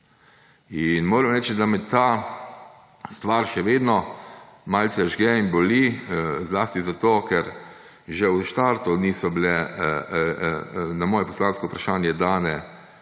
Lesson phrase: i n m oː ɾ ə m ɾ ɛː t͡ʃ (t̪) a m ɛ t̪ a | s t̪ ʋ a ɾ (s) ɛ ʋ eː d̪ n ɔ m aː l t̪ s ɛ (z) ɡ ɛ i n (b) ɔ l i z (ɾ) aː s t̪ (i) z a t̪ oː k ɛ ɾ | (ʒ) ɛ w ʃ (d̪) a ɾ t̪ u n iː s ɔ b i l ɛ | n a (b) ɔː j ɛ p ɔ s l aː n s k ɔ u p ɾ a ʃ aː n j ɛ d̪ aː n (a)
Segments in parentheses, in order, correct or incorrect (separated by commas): incorrect, incorrect, incorrect, correct, incorrect, correct, correct, incorrect, incorrect, incorrect